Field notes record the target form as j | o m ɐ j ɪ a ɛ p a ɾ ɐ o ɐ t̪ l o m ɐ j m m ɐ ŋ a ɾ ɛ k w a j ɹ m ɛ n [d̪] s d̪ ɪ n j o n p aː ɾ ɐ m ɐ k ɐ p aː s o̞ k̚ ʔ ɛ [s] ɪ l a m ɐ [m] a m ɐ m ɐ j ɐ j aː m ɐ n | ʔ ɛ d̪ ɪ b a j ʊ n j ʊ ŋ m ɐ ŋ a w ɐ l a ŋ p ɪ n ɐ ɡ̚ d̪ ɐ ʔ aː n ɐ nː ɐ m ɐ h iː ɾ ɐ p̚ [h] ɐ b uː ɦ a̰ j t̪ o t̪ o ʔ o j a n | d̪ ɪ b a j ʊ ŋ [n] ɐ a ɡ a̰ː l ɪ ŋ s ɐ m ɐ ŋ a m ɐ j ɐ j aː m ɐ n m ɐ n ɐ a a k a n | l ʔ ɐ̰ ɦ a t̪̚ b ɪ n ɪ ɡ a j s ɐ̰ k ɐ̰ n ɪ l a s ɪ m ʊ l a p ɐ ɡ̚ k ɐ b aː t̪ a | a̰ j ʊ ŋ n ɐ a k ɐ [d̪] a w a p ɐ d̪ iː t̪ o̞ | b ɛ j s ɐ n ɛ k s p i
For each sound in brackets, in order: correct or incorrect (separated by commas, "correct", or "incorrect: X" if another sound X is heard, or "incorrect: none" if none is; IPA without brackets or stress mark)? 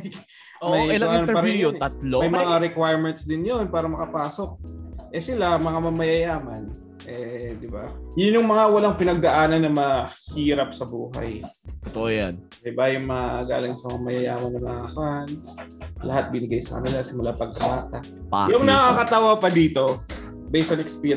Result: incorrect: t̪, correct, incorrect: ŋ, incorrect: s, incorrect: m, incorrect: t̪